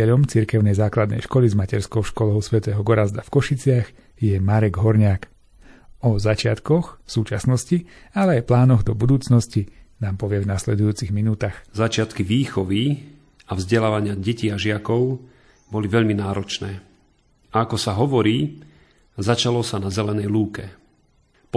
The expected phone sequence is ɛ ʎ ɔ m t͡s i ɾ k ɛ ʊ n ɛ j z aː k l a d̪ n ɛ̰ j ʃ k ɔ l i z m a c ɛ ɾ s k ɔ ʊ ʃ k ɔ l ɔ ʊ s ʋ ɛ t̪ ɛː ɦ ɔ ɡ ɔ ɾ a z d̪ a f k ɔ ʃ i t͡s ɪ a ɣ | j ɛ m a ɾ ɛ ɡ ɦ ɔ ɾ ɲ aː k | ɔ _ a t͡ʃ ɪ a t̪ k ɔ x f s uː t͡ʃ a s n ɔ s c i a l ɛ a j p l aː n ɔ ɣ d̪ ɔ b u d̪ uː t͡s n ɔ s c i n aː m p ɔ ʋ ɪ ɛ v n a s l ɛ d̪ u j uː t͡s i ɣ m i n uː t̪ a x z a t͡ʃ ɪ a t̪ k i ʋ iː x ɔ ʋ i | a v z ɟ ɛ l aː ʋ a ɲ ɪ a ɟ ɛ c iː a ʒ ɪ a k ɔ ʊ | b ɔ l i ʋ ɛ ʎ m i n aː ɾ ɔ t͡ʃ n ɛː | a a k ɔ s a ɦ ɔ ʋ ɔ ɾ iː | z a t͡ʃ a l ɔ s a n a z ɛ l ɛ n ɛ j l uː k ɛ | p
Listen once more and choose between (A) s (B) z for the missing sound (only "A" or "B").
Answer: B